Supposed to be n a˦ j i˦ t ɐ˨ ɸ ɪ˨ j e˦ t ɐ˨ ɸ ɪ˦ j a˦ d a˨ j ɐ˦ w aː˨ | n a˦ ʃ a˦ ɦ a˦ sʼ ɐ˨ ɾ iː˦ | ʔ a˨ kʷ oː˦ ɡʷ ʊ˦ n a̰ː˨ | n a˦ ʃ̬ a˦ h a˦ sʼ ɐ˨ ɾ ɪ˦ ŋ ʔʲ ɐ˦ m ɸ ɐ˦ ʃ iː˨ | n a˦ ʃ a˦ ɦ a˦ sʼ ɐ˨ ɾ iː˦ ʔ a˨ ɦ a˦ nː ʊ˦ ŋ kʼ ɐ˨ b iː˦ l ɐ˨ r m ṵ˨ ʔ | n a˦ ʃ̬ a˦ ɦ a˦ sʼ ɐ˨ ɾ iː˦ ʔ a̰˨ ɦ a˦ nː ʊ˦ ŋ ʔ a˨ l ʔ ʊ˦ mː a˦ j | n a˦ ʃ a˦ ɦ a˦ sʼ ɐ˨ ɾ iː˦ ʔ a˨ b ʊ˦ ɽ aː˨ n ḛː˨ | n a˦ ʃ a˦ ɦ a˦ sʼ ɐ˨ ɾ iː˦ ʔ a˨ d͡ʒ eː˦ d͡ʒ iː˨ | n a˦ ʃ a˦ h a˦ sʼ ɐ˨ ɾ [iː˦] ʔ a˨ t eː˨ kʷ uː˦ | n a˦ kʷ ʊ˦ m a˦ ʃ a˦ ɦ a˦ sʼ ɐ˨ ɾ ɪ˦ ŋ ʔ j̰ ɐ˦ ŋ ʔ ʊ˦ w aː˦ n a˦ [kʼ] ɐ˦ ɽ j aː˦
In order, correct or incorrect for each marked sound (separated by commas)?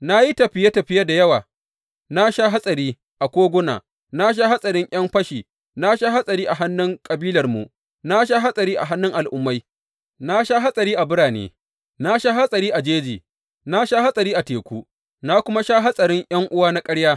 correct, correct